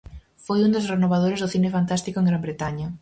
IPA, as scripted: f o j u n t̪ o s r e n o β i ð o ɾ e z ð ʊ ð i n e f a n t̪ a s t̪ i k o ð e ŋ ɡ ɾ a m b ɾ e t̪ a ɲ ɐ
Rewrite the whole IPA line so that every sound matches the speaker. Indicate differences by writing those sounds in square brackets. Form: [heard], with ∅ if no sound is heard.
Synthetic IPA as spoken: f o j u n [d̪] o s r e n o β [a] ð o ɾ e z ð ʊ [θ] i n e f a n t̪ a s t̪ i k o [∅] e ŋ ɡ ɾ a m b ɾ e t̪ a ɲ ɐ